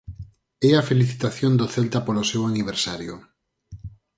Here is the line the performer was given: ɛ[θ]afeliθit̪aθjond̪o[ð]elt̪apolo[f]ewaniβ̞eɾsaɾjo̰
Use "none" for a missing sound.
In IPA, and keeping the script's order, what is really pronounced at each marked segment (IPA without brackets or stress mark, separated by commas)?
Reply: none, θ, s